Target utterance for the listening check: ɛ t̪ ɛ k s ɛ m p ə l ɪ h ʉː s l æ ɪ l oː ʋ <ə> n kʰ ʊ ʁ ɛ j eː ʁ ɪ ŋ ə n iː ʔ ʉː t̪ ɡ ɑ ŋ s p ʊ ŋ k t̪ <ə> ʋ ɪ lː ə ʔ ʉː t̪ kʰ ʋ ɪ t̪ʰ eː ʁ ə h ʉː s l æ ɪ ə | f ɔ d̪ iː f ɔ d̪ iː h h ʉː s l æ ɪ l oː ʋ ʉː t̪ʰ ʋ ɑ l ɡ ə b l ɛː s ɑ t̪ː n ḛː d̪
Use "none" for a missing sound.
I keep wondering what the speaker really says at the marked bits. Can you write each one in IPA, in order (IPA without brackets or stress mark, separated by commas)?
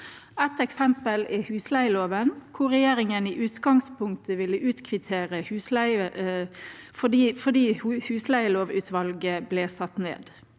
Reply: ə, ə